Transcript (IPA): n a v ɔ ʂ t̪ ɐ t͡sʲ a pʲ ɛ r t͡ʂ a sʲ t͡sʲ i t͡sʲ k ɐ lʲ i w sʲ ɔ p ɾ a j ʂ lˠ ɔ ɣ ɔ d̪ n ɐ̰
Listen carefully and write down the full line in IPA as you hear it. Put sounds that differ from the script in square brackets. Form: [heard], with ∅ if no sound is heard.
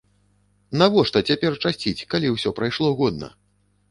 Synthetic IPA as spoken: n a v ɔ ʂ t̪ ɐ t͡sʲ a pʲ ɛ r t͡ʂ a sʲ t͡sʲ i t͡sʲ k [a] lʲ i w sʲ ɔ p ɾ a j ʂ lˠ ɔ ɣ ɔ d̪ n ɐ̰